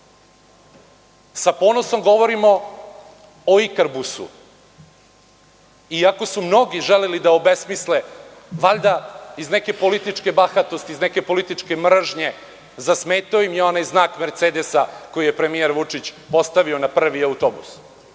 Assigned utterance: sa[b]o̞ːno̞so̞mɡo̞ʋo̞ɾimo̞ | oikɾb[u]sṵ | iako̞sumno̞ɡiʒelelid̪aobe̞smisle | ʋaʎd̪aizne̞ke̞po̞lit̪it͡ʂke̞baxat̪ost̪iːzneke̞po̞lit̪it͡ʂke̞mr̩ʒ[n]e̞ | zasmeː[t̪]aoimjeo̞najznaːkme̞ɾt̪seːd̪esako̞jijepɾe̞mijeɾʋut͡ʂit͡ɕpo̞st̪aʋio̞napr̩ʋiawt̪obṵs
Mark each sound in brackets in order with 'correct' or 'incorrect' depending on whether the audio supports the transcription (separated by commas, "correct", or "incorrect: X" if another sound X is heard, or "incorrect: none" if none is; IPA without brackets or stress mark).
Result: incorrect: p, correct, incorrect: ɲ, correct